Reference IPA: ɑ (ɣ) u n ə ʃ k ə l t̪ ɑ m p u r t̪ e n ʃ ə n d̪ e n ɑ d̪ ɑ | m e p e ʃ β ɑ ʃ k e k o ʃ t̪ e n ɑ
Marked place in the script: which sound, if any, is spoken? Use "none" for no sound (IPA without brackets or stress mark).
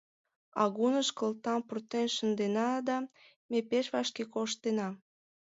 ɣ